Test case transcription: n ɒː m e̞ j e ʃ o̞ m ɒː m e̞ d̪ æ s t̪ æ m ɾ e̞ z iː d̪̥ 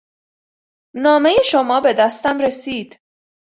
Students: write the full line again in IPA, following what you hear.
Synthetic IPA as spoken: n ɒː m e̞ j e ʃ o̞ m ɒː b e̞ d̪ æ s t̪ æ m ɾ e̞ s iː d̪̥